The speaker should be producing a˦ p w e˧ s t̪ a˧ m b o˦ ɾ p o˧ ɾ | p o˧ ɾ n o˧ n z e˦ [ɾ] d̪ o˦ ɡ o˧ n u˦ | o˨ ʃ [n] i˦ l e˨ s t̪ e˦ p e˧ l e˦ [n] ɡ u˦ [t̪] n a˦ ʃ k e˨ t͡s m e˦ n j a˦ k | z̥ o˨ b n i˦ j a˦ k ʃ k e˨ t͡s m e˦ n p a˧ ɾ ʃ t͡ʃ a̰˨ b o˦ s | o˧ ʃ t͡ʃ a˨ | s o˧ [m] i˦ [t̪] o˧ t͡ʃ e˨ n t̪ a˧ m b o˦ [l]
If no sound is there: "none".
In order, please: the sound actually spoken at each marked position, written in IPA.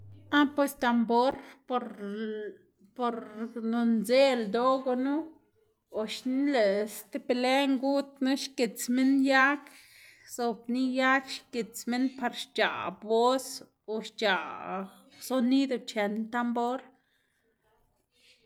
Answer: l, n, ŋ, t̪, n, d̪, ɾ

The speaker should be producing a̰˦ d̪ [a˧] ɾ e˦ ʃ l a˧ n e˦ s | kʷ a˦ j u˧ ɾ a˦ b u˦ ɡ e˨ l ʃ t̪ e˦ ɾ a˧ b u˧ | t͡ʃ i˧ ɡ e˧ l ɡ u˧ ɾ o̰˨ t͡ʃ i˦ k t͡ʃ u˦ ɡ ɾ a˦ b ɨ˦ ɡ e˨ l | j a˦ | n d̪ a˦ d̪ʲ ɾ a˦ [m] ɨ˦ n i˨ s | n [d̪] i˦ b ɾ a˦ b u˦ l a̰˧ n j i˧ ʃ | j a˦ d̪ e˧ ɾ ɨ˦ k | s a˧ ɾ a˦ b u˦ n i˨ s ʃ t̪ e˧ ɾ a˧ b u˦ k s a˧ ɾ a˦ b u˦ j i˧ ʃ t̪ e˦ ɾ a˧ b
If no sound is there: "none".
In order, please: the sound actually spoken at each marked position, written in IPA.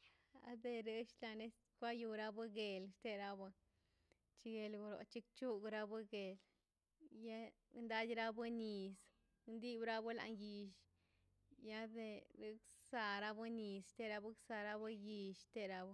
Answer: e˧, b, d̪

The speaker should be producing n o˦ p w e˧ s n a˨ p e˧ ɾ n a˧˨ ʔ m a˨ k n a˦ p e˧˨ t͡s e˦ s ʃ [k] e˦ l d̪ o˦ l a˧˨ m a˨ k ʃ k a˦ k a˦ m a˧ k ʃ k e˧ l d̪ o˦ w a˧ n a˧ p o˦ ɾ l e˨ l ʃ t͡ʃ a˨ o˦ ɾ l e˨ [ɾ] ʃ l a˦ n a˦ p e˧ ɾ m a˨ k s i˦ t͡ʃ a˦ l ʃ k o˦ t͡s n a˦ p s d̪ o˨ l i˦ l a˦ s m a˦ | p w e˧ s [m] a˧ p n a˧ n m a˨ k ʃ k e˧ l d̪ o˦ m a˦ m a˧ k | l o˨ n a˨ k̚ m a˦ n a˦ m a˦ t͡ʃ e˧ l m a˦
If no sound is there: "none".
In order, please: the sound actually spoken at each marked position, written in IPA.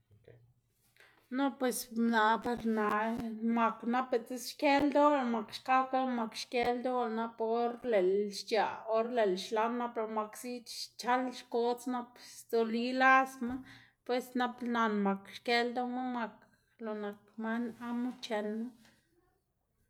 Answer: k, l, n

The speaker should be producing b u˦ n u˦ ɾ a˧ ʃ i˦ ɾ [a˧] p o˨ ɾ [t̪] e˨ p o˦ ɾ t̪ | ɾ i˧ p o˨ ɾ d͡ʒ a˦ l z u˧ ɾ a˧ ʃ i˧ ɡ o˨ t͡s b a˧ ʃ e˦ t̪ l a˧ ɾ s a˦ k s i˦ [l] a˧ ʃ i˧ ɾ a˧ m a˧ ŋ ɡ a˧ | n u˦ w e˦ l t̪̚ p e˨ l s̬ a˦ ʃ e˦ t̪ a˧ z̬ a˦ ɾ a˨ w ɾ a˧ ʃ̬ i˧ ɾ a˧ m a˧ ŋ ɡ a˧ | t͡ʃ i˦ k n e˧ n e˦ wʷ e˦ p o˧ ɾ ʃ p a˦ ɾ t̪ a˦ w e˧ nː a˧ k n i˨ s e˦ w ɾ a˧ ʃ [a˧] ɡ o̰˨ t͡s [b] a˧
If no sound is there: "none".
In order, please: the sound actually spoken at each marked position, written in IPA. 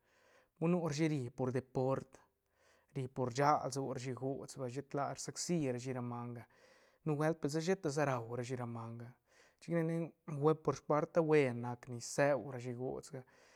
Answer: i˧, d̪, ɾ, i˧, ɡ

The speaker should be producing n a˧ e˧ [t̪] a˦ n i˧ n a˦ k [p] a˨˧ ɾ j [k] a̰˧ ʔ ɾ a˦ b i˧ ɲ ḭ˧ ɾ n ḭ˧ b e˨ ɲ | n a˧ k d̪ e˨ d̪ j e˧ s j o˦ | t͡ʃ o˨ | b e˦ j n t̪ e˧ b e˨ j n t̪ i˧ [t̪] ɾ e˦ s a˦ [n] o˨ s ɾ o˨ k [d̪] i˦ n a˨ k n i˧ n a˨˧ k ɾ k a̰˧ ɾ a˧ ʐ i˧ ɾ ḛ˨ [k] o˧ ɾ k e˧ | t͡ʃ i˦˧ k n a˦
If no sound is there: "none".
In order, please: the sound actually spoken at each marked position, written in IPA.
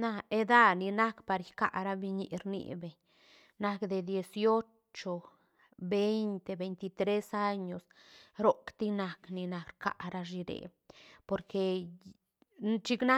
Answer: d̪, p, k, t̪, ɲ, t̪, p

